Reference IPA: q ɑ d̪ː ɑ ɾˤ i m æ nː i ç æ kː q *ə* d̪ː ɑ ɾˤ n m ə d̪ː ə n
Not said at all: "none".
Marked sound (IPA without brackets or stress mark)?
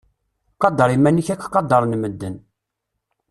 ɑ